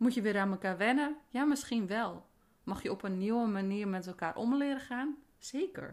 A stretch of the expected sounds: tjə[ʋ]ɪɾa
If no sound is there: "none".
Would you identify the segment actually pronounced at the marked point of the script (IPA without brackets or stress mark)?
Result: ʋ